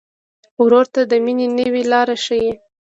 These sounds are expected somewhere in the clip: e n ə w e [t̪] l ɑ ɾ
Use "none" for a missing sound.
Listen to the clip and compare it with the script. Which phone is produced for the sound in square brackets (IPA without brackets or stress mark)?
none